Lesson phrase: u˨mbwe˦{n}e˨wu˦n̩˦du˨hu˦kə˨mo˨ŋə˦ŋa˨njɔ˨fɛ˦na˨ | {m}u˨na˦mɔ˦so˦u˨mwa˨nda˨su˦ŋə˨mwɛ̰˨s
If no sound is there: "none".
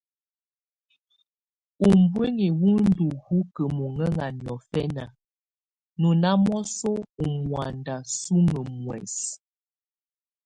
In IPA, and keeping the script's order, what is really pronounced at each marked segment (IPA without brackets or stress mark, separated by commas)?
ŋ, n